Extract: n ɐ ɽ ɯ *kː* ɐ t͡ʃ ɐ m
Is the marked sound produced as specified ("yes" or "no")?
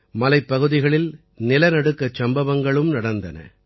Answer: yes